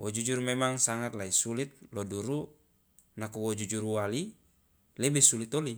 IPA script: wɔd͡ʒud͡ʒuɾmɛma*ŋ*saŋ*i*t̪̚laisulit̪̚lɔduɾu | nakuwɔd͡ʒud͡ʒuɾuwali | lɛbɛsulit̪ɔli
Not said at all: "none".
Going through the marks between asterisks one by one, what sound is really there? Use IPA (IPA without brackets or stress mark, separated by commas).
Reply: ŋ, a